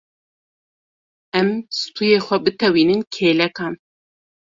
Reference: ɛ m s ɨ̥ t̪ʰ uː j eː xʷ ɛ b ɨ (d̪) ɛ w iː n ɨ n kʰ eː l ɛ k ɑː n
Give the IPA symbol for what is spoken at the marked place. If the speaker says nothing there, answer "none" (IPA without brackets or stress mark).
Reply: t̪